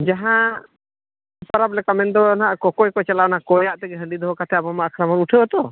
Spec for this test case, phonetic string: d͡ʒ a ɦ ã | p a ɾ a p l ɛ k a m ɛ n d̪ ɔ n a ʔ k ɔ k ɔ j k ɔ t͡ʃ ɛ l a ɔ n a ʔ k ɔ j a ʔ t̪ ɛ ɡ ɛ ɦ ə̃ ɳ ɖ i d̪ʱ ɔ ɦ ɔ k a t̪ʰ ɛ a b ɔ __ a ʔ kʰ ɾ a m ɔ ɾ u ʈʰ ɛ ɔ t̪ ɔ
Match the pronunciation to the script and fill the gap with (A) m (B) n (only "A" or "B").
A